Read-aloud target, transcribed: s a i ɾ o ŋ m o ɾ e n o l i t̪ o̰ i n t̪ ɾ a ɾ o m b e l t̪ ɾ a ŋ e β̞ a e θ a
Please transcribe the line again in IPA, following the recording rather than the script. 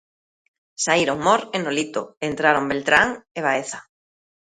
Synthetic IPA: s a i ɾ o ŋ m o ɾ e n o l i t̪ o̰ e n t̪ ɾ a ɾ o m b e l t̪ ɾ a ŋ e β̞ a e θ a